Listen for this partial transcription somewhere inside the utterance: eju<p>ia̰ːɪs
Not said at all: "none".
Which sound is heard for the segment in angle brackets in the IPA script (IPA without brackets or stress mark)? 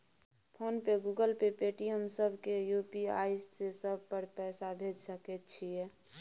p